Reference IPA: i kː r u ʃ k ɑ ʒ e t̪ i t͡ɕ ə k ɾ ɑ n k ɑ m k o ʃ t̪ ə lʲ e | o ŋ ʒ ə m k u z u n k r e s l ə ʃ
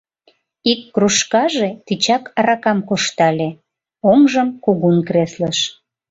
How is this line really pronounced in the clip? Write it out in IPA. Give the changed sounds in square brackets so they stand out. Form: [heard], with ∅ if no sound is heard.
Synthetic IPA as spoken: i kː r u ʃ k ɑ ʒ e t̪ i t͡ɕ [ɑ] k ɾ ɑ [∅] k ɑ m k o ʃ t̪ [ɑ] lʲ e | o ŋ ʒ ə m k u [ɣ] u n k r e s l ə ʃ